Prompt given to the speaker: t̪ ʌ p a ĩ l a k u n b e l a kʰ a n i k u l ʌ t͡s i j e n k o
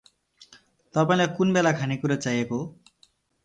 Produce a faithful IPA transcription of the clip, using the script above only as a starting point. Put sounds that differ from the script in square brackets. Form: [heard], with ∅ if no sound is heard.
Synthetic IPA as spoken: t̪ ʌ p a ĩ l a k u n b e l a kʰ a n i k u [ɾ] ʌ t͡s [a] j e [∅] k o